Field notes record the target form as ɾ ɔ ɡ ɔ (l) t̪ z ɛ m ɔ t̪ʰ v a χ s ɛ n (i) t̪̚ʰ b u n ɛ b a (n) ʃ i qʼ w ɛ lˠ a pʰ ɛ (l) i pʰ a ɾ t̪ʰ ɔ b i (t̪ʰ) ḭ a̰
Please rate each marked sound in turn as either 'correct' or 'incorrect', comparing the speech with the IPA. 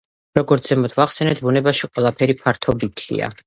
incorrect: ɾ, incorrect: ɛ, incorrect: none, incorrect: ɾ, correct

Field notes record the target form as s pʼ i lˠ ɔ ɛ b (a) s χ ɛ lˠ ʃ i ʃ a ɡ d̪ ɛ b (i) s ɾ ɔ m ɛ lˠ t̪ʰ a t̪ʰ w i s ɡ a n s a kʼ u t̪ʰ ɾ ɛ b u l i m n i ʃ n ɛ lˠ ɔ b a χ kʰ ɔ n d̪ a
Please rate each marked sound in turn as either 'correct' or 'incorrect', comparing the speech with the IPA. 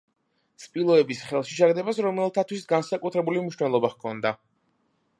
incorrect: i, incorrect: a

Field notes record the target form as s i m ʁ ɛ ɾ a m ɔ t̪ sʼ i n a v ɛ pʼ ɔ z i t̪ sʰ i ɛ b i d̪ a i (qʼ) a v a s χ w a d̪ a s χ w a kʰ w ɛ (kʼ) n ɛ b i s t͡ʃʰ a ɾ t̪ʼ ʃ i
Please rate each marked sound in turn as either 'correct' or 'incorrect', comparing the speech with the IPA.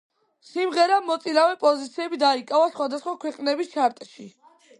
incorrect: kʼ, incorrect: qʼ

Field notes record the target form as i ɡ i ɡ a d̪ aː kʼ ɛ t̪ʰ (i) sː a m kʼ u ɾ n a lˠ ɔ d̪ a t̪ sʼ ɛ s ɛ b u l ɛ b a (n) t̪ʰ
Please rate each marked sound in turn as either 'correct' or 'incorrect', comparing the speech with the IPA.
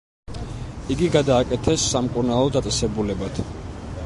incorrect: ɛ, incorrect: none

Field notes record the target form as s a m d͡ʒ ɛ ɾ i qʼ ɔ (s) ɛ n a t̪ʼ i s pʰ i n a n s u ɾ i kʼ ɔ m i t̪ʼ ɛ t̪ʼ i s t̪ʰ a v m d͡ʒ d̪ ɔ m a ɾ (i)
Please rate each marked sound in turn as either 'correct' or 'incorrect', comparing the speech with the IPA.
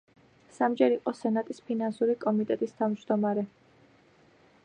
correct, incorrect: ɛ

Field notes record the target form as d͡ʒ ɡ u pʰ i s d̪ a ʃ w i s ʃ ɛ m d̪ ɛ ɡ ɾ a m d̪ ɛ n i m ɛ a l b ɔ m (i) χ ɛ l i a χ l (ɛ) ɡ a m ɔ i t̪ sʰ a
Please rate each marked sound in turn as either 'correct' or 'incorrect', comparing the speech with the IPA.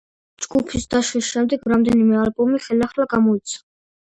correct, incorrect: a

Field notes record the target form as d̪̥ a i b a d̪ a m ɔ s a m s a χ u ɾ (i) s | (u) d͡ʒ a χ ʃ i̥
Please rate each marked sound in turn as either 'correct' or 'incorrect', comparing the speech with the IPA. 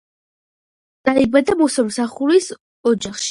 correct, incorrect: ɔ

